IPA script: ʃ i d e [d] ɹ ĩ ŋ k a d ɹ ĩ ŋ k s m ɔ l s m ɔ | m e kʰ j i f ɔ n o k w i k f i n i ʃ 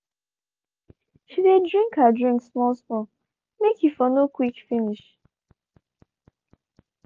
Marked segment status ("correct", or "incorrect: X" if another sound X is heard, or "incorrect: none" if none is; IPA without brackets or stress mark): correct